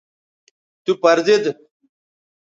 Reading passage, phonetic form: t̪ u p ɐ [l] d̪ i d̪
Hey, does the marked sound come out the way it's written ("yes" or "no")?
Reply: no